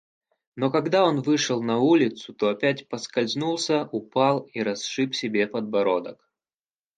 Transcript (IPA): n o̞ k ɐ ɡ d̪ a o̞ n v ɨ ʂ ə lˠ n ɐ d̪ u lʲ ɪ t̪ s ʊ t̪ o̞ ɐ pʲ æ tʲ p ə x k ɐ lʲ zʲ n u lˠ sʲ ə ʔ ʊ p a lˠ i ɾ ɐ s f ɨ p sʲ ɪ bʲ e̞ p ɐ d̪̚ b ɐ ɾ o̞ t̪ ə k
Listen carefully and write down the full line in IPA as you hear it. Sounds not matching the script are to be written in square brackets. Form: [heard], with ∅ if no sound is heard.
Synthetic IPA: n o̞ k ɐ ɡ d̪ a o̞ n v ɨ ʂ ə lˠ n ɐ [∅] u lʲ ɪ t̪ s ʊ t̪ o̞ ɐ pʲ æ tʲ p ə [s] k ɐ lʲ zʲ n u lˠ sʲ ə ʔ ʊ p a lˠ i ɾ ɐ s [ʂ] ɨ p sʲ ɪ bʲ e̞ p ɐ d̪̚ b ɐ ɾ o̞ [d̪] ə k